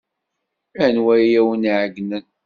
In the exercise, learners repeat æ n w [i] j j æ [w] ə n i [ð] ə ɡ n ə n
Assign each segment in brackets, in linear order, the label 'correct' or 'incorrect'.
incorrect, correct, incorrect

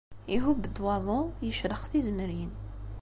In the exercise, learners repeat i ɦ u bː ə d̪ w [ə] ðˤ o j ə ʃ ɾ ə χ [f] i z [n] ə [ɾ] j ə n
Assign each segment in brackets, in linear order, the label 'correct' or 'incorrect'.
incorrect, incorrect, incorrect, correct

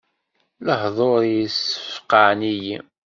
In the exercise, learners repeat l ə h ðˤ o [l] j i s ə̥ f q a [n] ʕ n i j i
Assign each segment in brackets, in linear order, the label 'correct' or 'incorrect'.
incorrect, incorrect

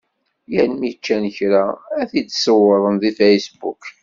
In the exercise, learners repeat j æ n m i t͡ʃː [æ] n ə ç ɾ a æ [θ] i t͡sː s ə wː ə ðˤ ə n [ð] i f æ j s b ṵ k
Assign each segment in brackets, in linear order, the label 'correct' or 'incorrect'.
correct, correct, correct

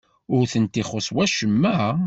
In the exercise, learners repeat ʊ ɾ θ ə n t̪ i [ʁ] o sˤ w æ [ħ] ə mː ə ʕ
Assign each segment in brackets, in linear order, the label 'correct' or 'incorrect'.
incorrect, incorrect

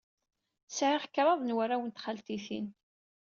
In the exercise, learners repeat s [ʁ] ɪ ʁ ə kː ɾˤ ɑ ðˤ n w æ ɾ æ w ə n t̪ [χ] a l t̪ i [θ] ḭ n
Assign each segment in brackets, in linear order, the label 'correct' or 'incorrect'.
incorrect, correct, correct

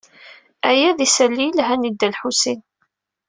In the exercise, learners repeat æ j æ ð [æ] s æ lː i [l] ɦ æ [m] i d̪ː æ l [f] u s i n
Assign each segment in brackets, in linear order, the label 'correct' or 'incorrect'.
incorrect, correct, incorrect, incorrect

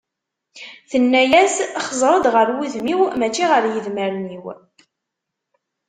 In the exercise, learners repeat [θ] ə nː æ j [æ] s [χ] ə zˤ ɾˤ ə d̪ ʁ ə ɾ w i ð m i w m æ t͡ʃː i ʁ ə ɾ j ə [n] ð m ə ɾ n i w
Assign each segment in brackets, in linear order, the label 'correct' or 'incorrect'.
correct, correct, correct, incorrect

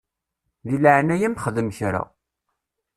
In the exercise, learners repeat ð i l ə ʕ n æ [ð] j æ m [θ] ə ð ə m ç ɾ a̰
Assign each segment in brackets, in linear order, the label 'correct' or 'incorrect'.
incorrect, incorrect

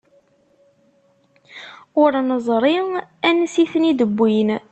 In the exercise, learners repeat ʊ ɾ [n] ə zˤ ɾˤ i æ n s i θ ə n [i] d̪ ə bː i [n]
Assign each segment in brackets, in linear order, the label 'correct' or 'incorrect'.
correct, correct, correct

